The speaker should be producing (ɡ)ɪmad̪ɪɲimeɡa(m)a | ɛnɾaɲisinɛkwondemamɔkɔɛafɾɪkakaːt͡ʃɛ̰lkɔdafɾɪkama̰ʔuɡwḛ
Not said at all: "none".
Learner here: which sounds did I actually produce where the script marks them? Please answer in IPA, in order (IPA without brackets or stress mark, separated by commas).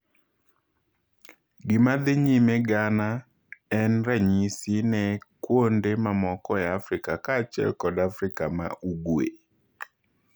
ɡ, n